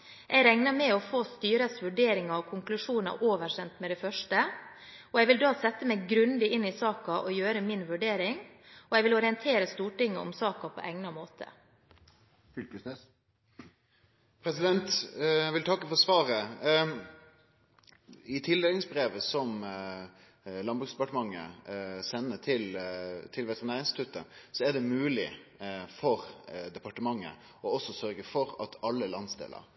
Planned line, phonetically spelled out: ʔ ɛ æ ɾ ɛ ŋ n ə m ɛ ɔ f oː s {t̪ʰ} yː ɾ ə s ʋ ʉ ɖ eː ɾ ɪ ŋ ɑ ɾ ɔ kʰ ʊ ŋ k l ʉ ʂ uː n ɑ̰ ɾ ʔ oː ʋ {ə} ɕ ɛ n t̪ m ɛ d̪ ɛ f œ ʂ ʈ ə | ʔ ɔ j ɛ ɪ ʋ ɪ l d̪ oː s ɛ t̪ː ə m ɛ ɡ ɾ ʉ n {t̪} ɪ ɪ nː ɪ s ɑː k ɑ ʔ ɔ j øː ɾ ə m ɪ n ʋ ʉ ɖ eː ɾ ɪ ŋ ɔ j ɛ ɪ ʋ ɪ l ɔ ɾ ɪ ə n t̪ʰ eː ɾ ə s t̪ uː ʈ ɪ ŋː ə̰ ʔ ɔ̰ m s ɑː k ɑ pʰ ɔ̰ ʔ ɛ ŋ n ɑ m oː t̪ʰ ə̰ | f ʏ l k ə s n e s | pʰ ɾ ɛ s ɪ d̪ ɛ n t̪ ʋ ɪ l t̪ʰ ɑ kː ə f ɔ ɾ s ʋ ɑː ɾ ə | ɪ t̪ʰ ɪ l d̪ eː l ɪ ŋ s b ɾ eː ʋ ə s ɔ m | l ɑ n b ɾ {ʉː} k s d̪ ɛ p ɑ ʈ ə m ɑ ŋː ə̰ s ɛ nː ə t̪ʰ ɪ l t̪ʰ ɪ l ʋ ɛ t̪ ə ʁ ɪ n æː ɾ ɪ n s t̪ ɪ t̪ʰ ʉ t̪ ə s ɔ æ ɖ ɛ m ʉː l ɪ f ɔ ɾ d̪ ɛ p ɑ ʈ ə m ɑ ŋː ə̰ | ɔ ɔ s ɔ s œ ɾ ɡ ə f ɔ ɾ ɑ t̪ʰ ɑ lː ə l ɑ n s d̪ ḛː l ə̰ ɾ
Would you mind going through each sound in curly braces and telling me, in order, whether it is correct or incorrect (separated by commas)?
incorrect, correct, incorrect, incorrect